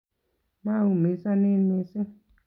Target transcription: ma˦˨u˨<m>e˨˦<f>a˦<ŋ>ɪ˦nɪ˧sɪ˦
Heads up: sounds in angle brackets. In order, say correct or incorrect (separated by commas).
correct, incorrect, incorrect